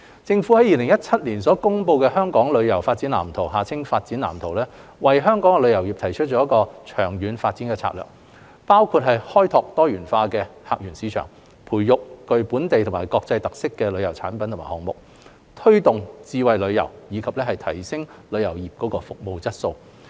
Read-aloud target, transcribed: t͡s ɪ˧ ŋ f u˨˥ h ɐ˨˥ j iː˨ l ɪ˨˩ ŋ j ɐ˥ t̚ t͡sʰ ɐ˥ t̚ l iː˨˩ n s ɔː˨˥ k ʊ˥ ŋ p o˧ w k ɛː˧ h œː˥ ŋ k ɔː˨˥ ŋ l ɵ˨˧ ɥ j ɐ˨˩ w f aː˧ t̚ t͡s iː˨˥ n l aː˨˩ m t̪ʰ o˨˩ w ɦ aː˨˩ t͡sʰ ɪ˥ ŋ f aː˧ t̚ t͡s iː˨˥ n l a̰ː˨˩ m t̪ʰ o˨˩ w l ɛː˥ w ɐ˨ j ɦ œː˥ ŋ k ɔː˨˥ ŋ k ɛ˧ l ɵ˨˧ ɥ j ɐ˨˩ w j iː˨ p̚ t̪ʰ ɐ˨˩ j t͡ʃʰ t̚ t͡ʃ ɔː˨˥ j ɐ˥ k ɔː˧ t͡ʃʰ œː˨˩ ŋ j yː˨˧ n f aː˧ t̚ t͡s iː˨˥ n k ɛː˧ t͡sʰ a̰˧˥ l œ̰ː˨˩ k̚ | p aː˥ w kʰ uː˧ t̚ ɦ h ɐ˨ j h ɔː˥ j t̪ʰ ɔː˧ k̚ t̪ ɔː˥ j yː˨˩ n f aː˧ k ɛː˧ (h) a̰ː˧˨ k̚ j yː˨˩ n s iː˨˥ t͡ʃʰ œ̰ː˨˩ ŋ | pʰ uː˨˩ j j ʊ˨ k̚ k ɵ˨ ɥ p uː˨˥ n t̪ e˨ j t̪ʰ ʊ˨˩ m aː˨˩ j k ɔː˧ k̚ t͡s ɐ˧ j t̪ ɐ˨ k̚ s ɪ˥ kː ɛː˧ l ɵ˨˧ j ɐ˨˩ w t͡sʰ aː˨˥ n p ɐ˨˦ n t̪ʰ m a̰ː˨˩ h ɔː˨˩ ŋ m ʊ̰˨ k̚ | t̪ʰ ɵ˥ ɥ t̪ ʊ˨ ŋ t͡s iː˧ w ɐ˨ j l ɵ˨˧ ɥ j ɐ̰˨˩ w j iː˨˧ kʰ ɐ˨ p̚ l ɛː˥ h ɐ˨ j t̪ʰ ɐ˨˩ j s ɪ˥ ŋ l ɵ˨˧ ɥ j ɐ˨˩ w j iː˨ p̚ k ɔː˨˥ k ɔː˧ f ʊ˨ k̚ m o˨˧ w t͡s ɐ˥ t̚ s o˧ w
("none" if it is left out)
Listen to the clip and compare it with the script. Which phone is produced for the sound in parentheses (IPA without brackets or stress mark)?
h